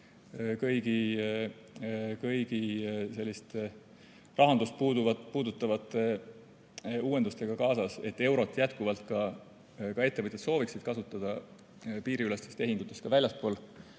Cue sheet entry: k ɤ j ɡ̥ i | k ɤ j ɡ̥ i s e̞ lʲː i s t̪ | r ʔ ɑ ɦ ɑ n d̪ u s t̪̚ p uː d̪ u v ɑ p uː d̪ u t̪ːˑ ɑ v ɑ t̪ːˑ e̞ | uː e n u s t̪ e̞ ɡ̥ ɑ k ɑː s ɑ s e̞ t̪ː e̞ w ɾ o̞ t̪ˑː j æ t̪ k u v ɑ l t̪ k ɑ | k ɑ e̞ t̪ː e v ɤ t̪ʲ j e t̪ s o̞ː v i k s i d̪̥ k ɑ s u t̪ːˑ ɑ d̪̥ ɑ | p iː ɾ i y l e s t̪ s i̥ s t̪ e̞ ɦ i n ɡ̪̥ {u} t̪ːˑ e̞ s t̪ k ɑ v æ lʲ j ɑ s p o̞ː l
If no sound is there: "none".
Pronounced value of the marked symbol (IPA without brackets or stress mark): u